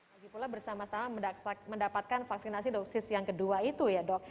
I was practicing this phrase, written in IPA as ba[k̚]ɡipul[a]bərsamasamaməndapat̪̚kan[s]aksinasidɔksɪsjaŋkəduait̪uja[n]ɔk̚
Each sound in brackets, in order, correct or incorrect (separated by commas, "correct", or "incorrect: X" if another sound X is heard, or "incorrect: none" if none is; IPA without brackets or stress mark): incorrect: none, correct, incorrect: f, incorrect: d